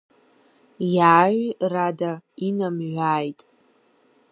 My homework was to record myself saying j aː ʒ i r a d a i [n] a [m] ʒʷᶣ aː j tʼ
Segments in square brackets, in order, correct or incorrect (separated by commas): correct, correct